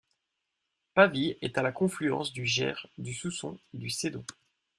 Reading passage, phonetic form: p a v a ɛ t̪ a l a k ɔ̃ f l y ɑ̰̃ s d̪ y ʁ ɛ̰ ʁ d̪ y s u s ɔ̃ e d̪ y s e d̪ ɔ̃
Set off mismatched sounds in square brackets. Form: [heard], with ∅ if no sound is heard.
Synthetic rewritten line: p a v [i] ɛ t̪ a l a k ɔ̃ f l y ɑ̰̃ s d̪ y [ʒ] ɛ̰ ʁ d̪ y s u s ɔ̃ e d̪ y s e d̪ ɔ̃